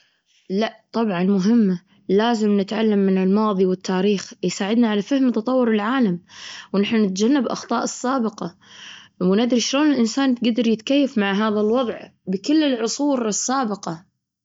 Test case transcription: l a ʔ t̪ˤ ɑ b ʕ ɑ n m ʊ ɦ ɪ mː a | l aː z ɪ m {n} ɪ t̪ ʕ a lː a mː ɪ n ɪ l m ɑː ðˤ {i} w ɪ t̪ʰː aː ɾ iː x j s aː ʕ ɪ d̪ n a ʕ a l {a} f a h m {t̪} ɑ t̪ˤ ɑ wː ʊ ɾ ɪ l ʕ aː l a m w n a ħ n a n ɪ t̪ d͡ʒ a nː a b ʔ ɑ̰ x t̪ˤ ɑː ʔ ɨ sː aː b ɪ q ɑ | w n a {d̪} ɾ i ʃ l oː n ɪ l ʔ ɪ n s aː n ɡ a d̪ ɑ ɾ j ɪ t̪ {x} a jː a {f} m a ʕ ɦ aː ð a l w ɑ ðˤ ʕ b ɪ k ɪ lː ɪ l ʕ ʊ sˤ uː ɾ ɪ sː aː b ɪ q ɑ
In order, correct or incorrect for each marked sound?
correct, correct, correct, correct, correct, incorrect: k, correct

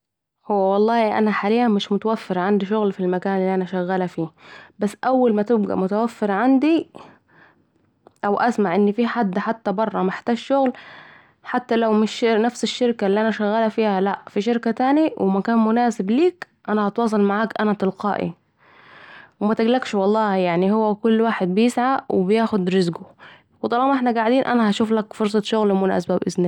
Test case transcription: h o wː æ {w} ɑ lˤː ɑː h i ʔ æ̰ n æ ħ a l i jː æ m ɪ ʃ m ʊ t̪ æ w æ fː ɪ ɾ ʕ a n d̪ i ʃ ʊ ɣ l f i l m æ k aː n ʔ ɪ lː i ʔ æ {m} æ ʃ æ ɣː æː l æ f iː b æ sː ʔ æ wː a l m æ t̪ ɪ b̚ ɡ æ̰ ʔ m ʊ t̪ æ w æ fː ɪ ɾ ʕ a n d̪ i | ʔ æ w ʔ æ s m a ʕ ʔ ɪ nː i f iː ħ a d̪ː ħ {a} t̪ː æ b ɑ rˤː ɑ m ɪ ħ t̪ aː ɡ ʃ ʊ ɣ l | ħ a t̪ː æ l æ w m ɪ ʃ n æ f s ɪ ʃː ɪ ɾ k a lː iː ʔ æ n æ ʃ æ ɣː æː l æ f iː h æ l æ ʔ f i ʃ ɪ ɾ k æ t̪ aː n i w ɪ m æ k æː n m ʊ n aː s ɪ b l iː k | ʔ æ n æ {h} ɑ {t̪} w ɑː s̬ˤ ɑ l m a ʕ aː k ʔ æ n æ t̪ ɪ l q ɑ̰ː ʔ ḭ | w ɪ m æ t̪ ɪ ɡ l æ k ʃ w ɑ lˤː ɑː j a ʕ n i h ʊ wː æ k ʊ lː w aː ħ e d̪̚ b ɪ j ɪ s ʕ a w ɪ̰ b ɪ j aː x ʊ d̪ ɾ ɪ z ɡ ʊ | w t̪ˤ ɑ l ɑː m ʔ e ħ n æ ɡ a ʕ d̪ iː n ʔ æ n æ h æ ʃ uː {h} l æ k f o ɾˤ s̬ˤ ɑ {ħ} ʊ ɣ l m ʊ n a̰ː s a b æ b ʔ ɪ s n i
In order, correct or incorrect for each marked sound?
correct, incorrect: n, correct, correct, correct, incorrect: f, incorrect: ʃ

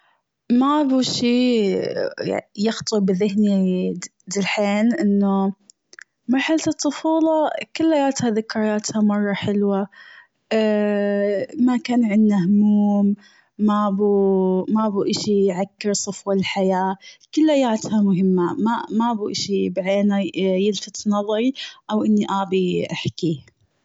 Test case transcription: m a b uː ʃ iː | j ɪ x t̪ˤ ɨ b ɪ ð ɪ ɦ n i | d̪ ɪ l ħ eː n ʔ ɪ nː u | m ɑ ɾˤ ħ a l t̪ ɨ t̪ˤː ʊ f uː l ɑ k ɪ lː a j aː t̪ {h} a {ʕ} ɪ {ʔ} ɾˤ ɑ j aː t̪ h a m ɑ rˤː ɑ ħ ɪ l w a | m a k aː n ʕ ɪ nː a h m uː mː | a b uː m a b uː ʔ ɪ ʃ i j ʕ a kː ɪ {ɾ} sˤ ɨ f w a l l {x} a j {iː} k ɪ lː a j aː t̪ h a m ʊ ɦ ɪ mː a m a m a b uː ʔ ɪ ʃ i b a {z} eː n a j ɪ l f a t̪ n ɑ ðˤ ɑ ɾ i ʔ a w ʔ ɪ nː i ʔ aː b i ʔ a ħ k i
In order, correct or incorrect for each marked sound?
correct, incorrect: ð, incorrect: k, correct, incorrect: ħ, incorrect: aː, incorrect: ʕ

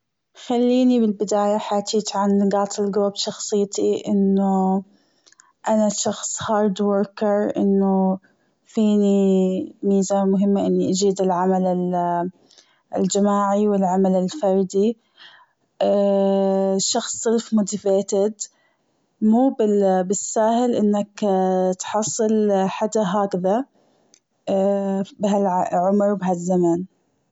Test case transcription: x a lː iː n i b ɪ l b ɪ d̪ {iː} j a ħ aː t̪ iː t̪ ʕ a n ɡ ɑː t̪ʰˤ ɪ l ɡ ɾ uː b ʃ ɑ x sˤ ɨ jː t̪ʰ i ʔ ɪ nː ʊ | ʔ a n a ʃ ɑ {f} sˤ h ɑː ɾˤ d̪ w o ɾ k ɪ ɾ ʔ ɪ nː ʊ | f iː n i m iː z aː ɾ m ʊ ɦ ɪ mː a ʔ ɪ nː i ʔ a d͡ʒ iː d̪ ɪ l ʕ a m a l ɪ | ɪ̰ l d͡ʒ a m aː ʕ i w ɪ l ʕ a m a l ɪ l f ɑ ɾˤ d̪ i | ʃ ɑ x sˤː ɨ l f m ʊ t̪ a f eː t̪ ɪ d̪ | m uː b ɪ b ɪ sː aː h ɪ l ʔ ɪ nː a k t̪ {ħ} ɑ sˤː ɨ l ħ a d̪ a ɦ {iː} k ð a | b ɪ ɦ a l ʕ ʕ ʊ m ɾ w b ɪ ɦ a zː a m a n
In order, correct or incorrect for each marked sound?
incorrect: aː, incorrect: x, correct, incorrect: aː

